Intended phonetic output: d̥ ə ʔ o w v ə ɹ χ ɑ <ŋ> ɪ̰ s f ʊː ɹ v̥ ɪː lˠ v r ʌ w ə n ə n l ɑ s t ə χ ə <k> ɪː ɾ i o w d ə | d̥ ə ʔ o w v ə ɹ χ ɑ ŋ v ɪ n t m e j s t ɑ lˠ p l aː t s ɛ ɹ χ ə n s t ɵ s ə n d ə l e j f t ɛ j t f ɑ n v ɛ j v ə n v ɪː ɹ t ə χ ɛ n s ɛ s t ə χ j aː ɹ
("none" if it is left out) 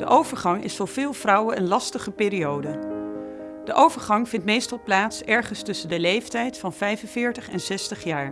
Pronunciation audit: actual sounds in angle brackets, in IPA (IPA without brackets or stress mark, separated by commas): ŋ, p